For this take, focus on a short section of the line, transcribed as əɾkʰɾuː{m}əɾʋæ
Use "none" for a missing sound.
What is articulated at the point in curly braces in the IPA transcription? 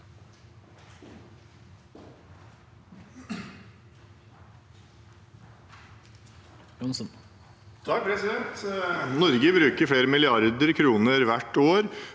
n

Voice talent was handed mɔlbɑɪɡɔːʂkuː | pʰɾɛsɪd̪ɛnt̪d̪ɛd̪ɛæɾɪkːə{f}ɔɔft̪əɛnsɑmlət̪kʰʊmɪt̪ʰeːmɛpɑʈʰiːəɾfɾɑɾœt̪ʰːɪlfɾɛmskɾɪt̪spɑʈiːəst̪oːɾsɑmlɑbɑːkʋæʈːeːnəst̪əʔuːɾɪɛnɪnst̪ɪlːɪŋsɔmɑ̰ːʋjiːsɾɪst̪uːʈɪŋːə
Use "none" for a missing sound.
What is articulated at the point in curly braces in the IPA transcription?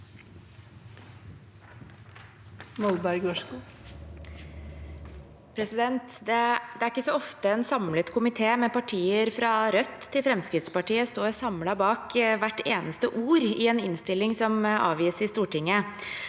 s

